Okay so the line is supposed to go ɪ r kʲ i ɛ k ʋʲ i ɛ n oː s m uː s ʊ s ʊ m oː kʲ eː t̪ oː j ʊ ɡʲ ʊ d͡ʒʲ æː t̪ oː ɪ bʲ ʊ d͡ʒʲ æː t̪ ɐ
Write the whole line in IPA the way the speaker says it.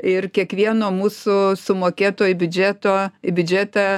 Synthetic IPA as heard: ɪ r kʲ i ɛ k ʋʲ i ɛ n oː m uː s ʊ s ʊ m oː kʲ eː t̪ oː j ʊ bʲ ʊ d͡ʒʲ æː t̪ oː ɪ bʲ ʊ d͡ʒʲ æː t̪ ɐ